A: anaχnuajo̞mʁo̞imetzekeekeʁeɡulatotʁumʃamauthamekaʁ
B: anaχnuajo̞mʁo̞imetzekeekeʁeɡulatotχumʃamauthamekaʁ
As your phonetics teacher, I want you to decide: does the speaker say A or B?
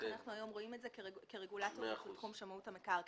B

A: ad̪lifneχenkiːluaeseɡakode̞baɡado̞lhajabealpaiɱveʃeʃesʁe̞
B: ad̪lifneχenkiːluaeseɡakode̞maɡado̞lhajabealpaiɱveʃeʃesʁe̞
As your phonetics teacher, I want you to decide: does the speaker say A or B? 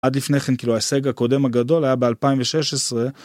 B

